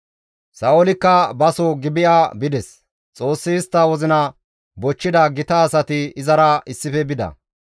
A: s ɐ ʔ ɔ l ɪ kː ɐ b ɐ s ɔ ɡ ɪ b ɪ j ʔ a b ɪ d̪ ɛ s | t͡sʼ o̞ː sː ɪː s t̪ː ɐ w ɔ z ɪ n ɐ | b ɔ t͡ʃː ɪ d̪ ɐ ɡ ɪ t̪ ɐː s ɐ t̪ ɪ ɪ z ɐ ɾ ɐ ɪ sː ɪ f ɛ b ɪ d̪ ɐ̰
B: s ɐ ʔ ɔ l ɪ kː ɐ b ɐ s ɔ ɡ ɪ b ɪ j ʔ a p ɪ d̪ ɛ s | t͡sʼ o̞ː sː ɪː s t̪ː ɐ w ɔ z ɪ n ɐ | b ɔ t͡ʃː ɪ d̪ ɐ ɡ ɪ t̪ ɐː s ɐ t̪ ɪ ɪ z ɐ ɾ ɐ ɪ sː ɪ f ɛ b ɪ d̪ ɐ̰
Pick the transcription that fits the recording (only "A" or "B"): A